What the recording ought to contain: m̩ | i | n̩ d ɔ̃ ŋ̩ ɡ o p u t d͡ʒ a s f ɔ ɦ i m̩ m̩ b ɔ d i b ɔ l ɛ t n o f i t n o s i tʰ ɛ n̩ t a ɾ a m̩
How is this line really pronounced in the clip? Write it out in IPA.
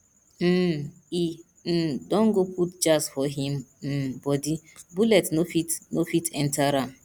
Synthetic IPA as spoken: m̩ | i | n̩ d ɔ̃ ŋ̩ ɡ o p u t d͡ʒ a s f ɔ ɦ i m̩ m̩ b ɔ d i b u l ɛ t n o f i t n o f i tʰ ɛ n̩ t a ɾ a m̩